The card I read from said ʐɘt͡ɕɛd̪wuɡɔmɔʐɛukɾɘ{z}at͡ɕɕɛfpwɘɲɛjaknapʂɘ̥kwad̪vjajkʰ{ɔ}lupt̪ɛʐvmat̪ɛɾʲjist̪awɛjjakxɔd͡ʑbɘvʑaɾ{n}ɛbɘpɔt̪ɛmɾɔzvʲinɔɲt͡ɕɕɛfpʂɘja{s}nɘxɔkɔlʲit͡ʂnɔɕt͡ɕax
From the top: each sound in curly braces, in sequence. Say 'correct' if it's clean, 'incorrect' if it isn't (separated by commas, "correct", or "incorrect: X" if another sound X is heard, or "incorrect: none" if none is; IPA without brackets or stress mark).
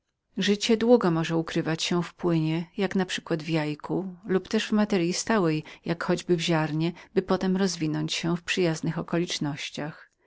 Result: incorrect: v, incorrect: u, incorrect: ɲ, incorrect: z